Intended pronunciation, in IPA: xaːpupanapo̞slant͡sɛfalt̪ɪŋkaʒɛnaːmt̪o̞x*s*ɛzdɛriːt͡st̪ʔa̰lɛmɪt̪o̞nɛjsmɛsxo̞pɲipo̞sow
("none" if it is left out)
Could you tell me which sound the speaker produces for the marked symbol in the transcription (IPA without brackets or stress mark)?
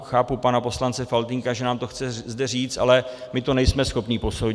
t͡s